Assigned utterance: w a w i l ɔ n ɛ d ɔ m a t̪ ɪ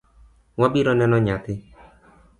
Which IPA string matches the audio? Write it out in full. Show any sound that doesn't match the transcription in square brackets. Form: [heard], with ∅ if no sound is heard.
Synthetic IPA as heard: w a [b] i [ɾ] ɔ n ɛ [n] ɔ [ɲ] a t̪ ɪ